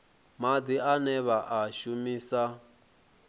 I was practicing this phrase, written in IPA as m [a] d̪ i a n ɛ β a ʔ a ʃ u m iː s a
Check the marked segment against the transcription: correct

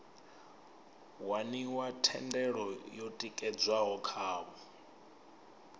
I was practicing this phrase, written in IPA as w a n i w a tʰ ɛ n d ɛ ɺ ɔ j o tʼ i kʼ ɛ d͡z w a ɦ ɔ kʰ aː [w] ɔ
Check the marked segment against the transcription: incorrect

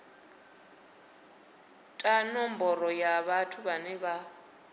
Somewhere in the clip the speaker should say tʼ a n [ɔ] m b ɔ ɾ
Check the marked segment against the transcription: correct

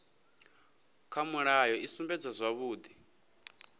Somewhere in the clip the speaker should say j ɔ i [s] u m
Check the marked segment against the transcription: correct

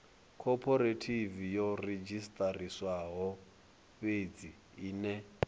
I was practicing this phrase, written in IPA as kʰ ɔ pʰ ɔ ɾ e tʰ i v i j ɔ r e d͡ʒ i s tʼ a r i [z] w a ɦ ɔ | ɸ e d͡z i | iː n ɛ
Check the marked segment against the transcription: incorrect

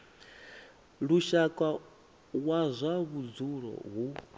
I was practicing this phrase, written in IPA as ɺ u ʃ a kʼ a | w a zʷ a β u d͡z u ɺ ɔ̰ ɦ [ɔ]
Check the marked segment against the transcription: incorrect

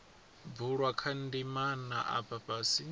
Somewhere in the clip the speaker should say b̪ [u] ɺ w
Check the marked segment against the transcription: correct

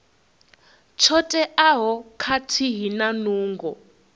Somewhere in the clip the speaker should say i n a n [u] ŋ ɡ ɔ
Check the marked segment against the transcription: incorrect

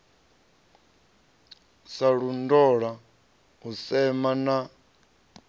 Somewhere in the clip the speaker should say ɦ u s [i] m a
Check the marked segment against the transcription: incorrect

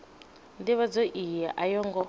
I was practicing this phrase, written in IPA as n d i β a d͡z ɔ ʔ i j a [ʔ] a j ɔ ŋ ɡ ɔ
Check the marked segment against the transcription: correct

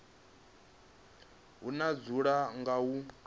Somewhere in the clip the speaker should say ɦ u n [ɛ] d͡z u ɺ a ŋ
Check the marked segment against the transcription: incorrect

